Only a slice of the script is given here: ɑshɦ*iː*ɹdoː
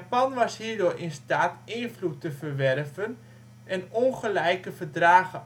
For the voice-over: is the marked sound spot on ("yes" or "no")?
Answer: yes